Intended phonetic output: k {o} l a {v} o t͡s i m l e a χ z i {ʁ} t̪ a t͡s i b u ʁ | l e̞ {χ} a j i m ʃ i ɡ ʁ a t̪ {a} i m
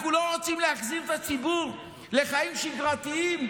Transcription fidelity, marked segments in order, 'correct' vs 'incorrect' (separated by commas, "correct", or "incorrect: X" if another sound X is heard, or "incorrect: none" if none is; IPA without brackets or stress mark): incorrect: u, incorrect: ʁ, correct, correct, incorrect: i